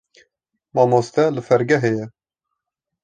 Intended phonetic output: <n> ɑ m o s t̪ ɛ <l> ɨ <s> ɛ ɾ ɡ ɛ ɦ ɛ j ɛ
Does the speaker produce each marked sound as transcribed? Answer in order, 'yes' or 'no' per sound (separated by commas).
no, yes, no